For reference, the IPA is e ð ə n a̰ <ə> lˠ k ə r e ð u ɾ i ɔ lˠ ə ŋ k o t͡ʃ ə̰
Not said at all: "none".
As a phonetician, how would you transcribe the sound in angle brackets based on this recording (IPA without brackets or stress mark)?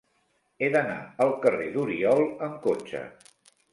ə